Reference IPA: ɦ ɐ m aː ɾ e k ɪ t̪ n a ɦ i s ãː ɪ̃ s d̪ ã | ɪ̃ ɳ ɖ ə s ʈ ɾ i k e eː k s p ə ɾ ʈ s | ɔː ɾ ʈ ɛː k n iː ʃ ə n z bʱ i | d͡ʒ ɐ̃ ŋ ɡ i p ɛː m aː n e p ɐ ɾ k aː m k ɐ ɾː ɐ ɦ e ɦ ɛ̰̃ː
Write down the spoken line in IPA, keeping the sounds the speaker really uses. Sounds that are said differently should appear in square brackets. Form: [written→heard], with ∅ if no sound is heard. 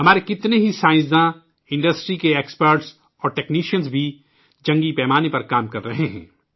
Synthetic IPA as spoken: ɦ ɐ m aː ɾ e k ɪ t̪ n [a→e] ɦ i s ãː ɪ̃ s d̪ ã | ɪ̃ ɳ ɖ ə s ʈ ɾ i k e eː k s p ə ɾ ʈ s | ɔː ɾ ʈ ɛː k n iː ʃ ə n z bʱ i | d͡ʒ ɐ̃ ŋ ɡ i p ɛː m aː n e p ɐ ɾ k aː m k ɐ ɾː ɐ ɦ e ɦ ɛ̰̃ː